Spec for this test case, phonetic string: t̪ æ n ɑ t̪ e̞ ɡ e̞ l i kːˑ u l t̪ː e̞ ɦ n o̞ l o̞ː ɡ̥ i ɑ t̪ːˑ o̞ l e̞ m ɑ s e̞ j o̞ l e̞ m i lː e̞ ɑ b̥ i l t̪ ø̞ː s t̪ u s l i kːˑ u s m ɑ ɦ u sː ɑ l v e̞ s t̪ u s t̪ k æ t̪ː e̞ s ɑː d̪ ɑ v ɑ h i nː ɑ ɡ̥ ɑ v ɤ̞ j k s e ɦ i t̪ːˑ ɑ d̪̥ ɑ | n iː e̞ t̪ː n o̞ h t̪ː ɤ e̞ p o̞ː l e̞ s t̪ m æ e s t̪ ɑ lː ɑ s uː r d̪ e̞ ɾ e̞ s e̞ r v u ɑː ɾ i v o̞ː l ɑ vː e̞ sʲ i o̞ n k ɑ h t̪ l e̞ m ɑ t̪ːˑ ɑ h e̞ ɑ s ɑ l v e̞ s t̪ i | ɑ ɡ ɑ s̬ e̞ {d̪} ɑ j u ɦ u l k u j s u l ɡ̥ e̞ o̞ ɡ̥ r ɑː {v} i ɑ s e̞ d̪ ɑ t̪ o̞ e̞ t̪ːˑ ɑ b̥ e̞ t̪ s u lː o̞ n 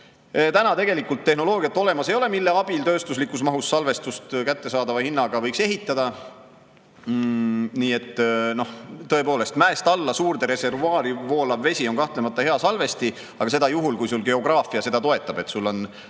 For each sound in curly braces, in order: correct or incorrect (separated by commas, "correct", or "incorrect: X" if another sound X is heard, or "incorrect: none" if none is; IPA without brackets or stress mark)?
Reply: correct, incorrect: f